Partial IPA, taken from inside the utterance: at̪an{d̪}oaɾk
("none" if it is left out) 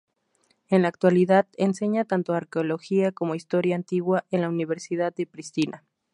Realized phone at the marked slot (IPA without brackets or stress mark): t̪